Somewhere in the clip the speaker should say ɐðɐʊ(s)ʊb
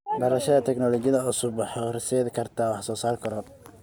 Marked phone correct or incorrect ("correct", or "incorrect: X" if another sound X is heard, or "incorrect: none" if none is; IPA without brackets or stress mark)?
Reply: correct